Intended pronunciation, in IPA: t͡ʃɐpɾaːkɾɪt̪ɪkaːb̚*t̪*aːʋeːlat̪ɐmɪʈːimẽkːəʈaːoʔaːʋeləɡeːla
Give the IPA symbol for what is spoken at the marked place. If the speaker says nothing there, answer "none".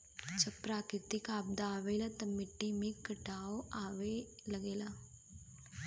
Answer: d̪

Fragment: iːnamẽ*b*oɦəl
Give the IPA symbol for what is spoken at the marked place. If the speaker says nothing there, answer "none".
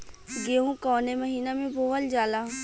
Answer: b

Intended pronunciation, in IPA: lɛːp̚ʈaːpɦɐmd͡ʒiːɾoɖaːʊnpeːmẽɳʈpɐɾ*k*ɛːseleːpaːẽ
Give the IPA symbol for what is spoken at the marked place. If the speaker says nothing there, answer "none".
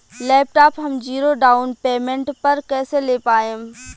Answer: k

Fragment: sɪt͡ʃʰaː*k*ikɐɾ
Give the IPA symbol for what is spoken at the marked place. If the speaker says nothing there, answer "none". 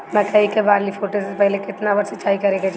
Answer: none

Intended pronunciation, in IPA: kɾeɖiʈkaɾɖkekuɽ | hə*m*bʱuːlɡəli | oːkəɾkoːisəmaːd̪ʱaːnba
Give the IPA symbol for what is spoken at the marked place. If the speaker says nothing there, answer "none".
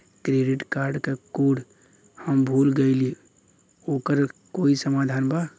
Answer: m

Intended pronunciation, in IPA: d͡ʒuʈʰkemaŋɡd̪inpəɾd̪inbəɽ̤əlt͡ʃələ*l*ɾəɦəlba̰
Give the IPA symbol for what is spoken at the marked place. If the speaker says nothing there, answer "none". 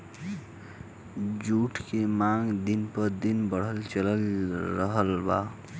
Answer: l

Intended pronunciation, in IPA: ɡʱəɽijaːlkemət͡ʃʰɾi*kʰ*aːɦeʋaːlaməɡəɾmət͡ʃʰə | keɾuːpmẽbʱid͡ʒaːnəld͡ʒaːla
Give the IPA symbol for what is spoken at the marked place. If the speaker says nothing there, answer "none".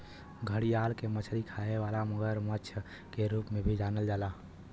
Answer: kʰ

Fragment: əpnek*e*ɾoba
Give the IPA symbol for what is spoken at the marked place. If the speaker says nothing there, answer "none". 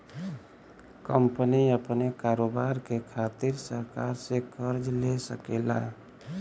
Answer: a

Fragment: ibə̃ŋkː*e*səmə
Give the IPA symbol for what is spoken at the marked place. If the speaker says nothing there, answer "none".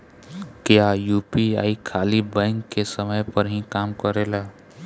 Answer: e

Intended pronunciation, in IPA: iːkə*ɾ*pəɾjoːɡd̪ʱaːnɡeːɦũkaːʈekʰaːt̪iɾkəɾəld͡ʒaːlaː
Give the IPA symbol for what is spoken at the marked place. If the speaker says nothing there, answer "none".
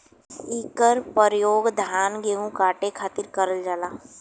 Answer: ɾ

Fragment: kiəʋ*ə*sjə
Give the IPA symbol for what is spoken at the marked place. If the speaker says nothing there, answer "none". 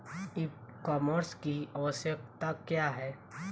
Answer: ə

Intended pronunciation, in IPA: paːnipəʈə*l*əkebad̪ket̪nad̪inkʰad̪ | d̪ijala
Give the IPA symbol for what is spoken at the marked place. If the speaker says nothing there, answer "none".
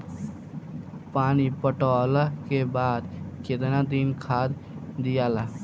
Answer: l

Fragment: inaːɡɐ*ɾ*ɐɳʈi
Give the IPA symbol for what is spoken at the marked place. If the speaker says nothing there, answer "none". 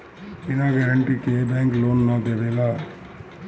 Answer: ɾ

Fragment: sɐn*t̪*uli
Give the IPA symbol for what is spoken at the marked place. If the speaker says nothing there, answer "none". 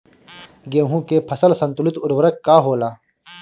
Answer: t̪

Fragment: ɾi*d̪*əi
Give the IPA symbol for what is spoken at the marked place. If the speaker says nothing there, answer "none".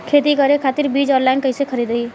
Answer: d̪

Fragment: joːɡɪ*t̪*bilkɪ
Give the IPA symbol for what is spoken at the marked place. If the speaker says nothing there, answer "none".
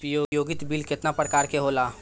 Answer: t̪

